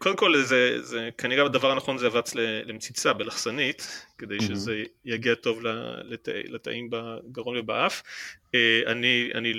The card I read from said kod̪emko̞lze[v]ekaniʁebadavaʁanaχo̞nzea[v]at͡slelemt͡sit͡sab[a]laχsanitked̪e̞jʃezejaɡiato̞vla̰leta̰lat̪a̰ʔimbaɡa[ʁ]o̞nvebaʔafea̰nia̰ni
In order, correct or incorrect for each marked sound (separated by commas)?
incorrect, correct, incorrect, correct